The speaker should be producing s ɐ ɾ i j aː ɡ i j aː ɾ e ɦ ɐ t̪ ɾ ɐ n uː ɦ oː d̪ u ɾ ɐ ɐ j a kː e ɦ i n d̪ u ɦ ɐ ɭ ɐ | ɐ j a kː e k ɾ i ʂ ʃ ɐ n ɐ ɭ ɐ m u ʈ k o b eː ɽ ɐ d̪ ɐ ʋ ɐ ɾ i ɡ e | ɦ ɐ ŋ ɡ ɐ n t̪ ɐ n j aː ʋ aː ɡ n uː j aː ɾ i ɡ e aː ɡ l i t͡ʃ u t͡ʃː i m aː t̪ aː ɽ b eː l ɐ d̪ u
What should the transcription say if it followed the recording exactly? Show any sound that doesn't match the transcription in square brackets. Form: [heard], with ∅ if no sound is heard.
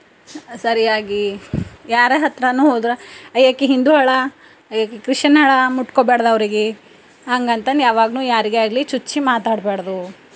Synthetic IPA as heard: s ɐ ɾ i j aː ɡ i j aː ɾ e ɦ ɐ t̪ ɾ ɐ n uː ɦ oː d̪ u ɾ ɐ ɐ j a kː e ɦ i n d̪ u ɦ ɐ ɭ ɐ | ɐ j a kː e k ɾ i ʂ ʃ ɐ n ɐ ɭ ɐ m u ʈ k o b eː ɽ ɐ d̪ ɐ ʋ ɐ ɾ i ɡ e | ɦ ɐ ŋ ɡ ɐ n t̪ ɐ n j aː ʋ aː ɡ n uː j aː ɾ i ɡ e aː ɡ l i t͡ʃ u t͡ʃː i m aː t̪ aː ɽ b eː [ɽ] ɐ d̪ u